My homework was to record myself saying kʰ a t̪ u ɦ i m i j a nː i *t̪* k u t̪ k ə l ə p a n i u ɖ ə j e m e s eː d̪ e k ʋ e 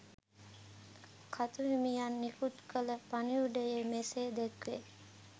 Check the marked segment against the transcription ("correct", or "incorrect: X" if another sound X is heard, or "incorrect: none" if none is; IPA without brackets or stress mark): incorrect: none